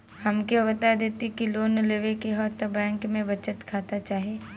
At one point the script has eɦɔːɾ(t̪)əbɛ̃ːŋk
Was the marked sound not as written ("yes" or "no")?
no